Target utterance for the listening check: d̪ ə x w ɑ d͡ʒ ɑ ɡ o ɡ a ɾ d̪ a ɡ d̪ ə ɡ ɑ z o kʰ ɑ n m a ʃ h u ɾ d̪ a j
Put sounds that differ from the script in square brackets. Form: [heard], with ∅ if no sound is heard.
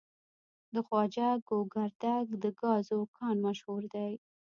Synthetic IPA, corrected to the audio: d̪ ə x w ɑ d͡ʒ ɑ ɡ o ɡ a ɾ d̪ a ɡ d̪ ə ɡ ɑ z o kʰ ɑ n m a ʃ h u ɾ d̪ a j